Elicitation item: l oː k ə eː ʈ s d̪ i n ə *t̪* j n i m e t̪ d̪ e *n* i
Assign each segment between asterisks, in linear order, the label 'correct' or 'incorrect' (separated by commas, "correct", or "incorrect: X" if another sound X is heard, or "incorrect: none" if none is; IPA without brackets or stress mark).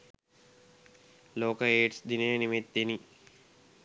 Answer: incorrect: none, correct